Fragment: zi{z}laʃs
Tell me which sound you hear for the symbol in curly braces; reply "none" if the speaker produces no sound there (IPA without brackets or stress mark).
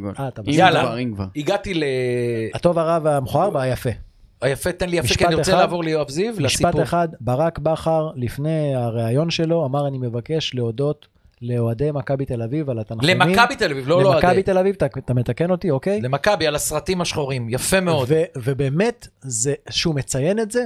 v